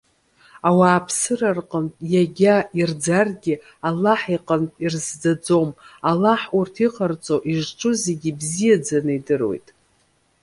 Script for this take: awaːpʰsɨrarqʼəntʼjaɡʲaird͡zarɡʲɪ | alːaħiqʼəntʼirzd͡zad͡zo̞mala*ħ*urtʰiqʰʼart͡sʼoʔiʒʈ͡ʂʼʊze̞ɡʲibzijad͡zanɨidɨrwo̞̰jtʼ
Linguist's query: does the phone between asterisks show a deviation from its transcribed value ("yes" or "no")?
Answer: no